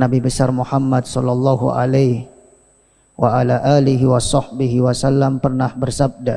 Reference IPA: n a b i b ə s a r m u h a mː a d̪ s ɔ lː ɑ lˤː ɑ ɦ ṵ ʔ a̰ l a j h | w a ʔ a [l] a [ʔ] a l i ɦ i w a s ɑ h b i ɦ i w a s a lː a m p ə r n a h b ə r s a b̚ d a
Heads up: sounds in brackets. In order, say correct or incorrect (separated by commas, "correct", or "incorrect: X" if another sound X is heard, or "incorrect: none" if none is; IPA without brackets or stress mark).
correct, correct